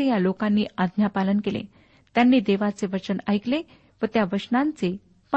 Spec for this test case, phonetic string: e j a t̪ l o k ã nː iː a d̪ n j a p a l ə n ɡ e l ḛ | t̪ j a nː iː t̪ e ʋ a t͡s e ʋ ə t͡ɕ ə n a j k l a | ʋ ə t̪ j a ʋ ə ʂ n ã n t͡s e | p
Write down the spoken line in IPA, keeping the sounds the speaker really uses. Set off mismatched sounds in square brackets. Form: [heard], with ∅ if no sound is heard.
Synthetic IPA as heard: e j a [∅] l o k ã nː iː a d̪ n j a p a l ə n [k] e l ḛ | t̪ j a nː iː [d̪] e ʋ a t͡s e ʋ ə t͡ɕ ə n a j k l [e] | ʋ ə t̪ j a ʋ ə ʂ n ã n t͡s e | p